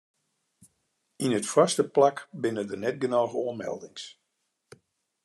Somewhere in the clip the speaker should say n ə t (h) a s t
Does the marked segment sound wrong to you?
yes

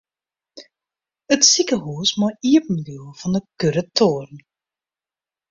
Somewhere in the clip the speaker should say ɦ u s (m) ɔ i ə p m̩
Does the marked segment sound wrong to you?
no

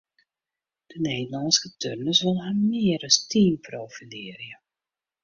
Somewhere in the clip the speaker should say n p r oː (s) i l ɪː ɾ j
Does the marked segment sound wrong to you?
yes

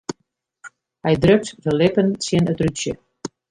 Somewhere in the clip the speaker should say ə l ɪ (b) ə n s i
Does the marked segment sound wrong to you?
yes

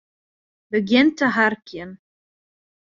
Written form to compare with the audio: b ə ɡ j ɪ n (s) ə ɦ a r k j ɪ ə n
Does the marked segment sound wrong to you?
yes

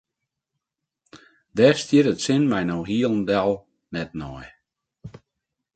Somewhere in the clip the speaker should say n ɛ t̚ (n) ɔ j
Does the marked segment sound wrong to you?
no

